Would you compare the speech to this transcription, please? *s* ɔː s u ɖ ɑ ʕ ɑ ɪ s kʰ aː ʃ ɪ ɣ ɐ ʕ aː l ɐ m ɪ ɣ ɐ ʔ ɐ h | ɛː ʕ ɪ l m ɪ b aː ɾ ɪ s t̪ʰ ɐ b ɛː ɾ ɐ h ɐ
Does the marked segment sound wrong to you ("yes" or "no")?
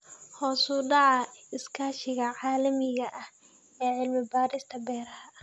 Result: yes